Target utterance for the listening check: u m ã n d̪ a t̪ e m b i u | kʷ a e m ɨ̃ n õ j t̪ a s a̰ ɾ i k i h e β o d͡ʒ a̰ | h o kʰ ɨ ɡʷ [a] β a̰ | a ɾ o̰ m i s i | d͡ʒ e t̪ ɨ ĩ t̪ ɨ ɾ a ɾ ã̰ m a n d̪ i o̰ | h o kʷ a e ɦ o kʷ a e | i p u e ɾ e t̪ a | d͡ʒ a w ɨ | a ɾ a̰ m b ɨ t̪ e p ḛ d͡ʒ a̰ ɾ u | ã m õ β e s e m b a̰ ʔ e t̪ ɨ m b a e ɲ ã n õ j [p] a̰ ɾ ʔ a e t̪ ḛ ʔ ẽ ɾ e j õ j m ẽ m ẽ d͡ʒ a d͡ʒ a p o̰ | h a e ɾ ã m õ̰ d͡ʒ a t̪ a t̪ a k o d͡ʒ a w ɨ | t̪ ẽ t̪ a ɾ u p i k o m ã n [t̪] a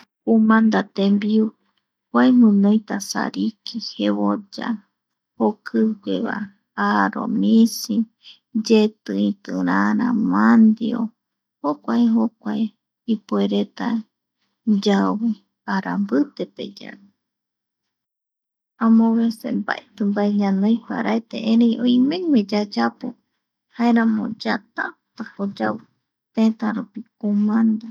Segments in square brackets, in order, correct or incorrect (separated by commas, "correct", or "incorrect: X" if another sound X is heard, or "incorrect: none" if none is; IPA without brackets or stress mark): incorrect: e, correct, incorrect: d̪